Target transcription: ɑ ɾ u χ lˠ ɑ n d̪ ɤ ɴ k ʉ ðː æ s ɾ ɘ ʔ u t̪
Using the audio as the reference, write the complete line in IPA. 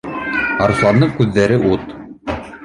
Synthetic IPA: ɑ ɾ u s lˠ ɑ n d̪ ɤ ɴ k ʉ ðː æ ɾ ɘ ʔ u t̪